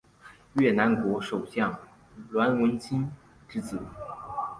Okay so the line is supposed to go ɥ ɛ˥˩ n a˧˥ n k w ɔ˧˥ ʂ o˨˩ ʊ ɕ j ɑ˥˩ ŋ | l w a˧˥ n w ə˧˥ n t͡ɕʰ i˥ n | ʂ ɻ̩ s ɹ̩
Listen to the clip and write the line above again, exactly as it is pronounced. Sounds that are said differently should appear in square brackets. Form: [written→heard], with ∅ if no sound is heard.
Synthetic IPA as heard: ɥ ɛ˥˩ n a˧˥ n k w ɔ˧˥ ʂ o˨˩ ʊ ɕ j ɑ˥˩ ŋ | l w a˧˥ n w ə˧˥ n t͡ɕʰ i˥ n | [ʂ→ʈ͡ʂ] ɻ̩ [s→t͡s] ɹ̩